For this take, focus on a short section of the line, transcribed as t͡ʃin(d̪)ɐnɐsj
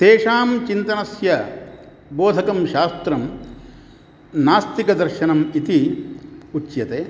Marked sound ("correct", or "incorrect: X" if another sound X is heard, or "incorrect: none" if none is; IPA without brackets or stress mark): incorrect: t̪